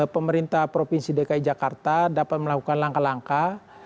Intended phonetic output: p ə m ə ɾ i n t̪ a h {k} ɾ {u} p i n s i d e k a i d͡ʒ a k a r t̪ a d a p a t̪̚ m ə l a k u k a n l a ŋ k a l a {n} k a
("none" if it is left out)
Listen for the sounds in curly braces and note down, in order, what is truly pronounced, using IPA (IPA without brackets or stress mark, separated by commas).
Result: p, o, ŋ